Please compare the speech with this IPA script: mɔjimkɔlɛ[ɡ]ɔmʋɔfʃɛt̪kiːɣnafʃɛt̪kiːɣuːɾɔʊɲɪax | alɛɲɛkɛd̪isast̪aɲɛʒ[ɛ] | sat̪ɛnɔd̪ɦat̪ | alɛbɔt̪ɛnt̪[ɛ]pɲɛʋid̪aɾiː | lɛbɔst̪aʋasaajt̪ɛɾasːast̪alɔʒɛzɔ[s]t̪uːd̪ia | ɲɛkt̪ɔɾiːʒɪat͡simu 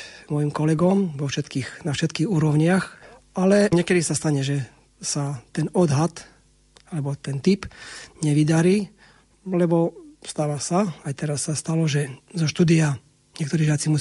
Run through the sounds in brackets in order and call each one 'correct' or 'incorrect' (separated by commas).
correct, correct, incorrect, incorrect